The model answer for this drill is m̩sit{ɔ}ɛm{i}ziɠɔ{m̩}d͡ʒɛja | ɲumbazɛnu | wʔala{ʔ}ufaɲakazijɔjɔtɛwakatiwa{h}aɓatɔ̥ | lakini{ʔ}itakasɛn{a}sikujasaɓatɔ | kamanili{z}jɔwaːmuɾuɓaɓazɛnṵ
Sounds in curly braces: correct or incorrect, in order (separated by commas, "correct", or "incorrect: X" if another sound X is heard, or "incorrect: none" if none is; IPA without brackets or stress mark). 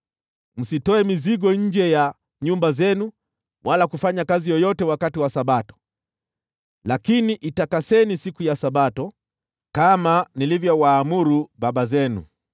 correct, correct, incorrect: ɲ̩, incorrect: k, incorrect: s, correct, incorrect: i, incorrect: v